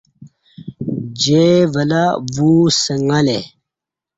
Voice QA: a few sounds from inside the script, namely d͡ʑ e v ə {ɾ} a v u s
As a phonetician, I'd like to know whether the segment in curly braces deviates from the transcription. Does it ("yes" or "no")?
yes